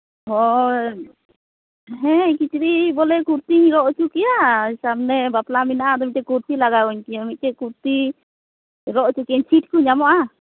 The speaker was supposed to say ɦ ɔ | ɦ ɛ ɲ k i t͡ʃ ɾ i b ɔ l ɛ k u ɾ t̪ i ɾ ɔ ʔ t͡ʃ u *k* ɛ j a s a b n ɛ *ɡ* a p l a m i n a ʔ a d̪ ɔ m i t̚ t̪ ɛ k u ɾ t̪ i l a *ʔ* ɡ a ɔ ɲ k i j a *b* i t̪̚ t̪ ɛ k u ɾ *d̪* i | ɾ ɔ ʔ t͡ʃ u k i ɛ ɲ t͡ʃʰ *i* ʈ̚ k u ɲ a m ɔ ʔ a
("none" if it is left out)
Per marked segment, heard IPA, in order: k, b, none, m, t̪, i

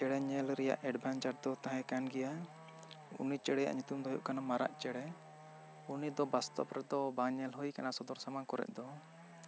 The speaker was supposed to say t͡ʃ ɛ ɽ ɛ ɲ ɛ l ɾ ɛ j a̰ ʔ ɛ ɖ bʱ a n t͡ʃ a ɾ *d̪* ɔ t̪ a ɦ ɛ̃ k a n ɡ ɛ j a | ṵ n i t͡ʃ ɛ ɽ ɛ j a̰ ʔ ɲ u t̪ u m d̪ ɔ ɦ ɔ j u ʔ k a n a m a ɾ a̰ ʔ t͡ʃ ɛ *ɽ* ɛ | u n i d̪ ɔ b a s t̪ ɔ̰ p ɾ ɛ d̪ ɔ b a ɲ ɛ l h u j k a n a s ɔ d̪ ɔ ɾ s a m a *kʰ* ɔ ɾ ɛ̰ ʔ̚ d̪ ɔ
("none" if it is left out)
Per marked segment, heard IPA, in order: d̪, ɽ, k

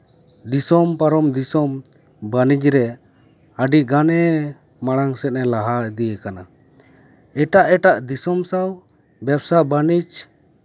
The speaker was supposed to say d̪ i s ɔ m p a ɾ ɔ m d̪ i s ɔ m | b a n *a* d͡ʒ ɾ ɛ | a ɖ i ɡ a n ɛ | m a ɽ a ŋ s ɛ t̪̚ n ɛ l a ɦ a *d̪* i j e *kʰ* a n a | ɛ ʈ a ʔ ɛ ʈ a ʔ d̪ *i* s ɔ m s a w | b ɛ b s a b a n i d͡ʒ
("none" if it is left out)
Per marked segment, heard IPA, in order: i, d̪, k, i

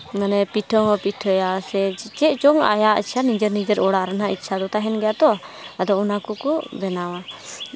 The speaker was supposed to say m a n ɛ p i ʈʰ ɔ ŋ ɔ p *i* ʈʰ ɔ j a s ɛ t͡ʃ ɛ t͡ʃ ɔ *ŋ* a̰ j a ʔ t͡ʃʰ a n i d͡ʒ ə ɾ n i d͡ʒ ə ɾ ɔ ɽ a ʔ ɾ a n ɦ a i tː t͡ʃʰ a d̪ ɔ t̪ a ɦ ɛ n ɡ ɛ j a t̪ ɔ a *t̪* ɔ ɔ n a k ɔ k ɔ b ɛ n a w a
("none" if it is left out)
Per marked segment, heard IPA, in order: i, ŋ, d̪

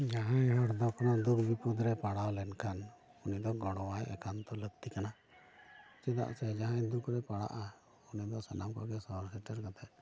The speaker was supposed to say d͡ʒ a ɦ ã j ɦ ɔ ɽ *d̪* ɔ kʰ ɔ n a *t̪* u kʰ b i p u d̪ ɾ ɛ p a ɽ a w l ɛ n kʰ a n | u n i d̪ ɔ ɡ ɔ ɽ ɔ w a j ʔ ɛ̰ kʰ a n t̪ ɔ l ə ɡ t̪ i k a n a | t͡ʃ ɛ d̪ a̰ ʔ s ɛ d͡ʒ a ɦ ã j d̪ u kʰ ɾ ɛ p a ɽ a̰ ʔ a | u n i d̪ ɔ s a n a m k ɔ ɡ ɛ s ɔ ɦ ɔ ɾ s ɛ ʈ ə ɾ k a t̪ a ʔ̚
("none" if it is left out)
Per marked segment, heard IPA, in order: d̪, d̪

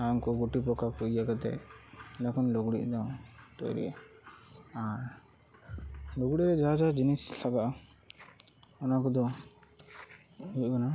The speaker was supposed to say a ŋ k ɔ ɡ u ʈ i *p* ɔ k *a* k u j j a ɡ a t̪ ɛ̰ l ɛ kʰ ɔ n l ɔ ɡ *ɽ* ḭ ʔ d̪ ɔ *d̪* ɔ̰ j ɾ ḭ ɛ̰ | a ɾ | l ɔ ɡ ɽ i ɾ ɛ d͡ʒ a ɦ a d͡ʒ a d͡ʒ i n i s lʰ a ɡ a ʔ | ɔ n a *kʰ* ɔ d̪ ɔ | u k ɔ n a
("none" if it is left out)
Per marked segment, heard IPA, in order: p, a, ɽ, t̪, k

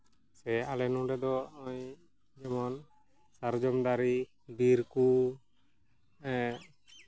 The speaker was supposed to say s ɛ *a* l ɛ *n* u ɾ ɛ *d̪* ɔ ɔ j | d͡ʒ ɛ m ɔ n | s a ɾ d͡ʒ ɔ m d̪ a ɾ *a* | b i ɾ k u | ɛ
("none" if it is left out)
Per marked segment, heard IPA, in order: a, n, d̪, i

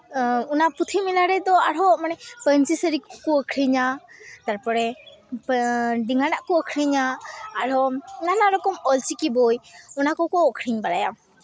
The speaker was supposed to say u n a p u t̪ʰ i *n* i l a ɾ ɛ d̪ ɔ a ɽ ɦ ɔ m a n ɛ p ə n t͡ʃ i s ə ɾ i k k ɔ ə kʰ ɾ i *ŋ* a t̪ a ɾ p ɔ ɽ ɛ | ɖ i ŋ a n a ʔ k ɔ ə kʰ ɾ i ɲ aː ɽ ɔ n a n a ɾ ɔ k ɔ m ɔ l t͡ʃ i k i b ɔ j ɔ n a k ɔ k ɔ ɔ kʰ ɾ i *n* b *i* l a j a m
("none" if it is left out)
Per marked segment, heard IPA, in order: m, ɲ, ɲ, a

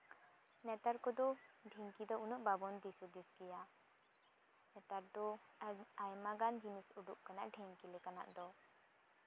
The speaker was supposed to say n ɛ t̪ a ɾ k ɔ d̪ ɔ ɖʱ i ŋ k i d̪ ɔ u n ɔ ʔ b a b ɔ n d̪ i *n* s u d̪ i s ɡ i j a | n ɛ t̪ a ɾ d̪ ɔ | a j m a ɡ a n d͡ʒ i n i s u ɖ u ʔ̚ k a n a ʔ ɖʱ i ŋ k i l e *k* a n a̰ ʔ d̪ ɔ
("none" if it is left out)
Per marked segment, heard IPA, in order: none, k

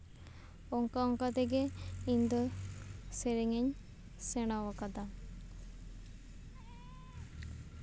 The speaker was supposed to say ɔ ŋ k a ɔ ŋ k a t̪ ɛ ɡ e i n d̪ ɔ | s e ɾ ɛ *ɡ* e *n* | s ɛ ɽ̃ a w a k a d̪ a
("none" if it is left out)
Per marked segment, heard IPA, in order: ŋ, ɲ

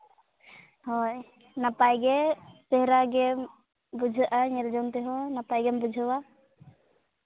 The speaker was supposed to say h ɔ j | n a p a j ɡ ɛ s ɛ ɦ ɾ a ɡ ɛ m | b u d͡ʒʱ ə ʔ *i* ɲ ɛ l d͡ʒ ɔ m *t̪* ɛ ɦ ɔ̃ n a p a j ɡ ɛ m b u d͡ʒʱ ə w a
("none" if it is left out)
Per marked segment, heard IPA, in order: a, t̪

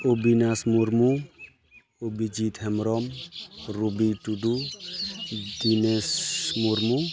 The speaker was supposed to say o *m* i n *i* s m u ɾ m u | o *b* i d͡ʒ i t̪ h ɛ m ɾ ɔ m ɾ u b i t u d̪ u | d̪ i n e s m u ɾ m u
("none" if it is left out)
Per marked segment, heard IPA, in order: b, a, b

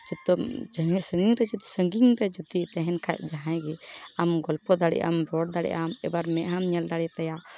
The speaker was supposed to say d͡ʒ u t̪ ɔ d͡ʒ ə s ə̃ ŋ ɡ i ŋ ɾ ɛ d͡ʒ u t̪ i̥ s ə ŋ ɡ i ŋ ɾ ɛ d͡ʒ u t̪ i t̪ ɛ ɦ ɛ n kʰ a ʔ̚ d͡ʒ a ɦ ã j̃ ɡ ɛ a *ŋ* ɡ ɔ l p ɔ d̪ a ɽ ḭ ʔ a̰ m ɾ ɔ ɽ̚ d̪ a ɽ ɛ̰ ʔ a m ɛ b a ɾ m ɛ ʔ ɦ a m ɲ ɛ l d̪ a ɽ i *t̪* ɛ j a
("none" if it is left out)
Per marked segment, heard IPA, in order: m, t̪

